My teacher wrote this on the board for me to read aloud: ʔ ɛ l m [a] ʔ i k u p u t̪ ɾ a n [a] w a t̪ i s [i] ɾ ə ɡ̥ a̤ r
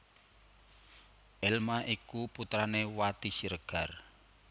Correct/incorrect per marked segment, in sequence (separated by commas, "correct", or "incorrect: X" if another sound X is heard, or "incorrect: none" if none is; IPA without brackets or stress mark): correct, incorrect: e, correct